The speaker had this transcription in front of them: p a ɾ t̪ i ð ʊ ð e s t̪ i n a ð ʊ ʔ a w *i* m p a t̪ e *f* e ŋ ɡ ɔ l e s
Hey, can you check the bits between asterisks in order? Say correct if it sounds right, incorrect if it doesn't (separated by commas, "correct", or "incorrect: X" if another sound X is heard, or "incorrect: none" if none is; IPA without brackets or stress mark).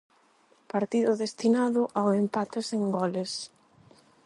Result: incorrect: e, incorrect: s